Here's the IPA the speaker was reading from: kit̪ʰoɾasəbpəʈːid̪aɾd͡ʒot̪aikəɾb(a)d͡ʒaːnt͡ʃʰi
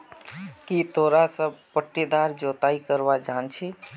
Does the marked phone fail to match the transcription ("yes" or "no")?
no